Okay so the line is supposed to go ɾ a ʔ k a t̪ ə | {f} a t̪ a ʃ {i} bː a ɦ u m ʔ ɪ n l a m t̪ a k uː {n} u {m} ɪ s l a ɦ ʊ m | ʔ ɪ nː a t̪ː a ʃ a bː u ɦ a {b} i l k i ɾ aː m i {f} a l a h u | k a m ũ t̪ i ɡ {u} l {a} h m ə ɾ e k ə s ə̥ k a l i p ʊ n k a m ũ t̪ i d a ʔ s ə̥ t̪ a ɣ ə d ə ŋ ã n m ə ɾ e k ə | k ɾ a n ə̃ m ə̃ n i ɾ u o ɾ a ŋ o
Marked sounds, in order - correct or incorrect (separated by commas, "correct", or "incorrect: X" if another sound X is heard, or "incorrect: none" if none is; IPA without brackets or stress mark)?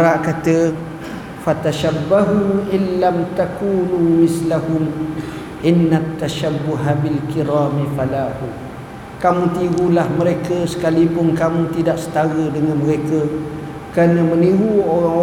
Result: correct, incorrect: a, correct, correct, correct, correct, correct, correct